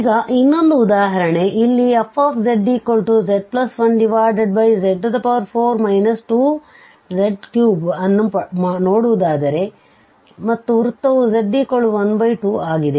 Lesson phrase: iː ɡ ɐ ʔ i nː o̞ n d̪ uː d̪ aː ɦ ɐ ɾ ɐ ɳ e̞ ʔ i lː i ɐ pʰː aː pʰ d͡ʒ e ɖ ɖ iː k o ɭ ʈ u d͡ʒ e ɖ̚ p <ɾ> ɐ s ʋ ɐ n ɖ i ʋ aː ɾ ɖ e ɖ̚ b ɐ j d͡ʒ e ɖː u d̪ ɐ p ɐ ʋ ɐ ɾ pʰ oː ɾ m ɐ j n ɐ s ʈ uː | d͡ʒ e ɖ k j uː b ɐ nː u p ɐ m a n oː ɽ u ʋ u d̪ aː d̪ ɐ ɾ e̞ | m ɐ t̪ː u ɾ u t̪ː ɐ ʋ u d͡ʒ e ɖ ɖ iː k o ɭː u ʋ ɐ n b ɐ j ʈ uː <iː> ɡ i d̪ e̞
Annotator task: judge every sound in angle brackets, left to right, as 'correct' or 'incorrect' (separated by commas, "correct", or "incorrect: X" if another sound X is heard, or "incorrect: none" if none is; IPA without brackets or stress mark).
incorrect: l, incorrect: aː